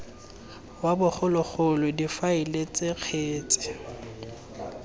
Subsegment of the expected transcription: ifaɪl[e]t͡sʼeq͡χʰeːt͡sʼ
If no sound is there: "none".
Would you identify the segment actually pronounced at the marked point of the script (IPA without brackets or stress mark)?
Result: e